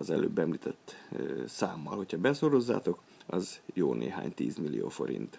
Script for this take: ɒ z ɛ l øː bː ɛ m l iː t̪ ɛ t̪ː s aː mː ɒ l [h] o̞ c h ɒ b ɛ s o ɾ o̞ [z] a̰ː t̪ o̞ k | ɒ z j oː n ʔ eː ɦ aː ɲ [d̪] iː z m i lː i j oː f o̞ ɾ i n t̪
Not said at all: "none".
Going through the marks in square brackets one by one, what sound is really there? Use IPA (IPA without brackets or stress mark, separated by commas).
h, zː, t̪